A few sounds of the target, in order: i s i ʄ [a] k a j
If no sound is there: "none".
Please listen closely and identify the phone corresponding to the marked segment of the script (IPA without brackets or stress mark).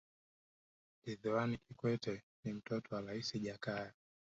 a